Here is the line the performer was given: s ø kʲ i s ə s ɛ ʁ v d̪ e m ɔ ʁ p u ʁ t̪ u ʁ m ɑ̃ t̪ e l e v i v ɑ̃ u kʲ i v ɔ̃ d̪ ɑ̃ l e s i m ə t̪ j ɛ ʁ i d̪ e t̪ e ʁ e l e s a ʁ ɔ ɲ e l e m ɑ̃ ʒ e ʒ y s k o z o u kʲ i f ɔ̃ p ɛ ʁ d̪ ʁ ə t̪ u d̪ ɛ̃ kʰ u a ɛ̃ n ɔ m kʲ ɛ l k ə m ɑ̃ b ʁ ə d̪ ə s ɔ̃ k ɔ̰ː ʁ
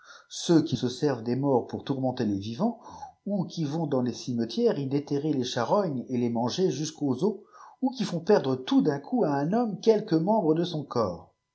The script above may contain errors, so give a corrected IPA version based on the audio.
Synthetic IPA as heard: s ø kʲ i s ə s ɛ ʁ v d̪ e m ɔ ʁ p u ʁ t̪ u ʁ m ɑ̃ t̪ e l e v i v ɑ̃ u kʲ i v ɔ̃ d̪ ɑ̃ l e s i m ə t̪ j ɛ ʁ i d̪ e t̪ e ʁ e l e ʃ a ʁ ɔ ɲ e l e m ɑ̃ ʒ e ʒ y s k o z o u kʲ i f ɔ̃ p ɛ ʁ d̪ ʁ ə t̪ u d̪ ɛ̃ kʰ u a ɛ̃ n ɔ m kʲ ɛ l k ə m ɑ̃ b ʁ ə d̪ ə s ɔ̃ k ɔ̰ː ʁ